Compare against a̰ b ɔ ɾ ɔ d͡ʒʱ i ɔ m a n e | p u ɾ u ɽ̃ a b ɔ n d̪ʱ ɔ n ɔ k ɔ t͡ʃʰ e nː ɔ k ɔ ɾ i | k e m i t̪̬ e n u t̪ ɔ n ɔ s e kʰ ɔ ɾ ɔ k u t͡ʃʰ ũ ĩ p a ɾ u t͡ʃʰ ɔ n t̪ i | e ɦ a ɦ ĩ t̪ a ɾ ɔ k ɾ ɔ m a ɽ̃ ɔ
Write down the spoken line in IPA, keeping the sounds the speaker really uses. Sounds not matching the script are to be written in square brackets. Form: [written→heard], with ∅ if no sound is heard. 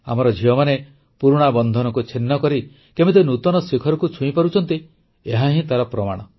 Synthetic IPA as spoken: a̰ [b→m] ɔ ɾ ɔ d͡ʒʱ i ɔ m a n e | p u ɾ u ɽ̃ a b ɔ n d̪ʱ ɔ n ɔ k [ɔ→u] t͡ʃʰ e nː ɔ k ɔ ɾ i | k e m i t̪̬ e n u t̪ ɔ n ɔ s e kʰ ɔ ɾ ɔ k u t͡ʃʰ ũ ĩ p a ɾ u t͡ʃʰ ɔ n t̪ i | e ɦ a ɦ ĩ t̪ a ɾ ɔ [k→p] ɾ ɔ m a ɽ̃ ɔ